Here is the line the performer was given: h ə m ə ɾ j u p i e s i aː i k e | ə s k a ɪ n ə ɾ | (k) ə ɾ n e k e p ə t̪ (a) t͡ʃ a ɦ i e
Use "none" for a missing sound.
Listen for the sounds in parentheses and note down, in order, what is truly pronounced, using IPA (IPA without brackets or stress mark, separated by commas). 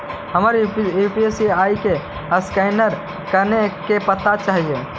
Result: k, a